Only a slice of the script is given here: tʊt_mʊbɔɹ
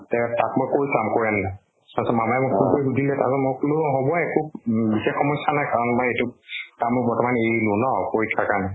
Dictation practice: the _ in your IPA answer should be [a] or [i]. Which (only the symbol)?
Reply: a